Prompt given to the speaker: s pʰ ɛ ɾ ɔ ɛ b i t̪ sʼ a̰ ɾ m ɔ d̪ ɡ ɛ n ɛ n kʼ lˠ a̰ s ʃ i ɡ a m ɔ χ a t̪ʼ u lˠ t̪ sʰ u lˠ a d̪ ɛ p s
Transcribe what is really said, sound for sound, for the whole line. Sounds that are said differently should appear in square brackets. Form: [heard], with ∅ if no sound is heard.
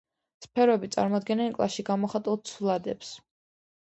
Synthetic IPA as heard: s pʰ ɛ ɾ ɔ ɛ b i t̪ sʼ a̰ ɾ m ɔ d̪ ɡ ɛ n ɛ n kʼ lˠ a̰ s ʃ i ɡ a m ɔ χ a t̪ʼ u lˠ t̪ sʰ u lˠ a d̪ ɛ p s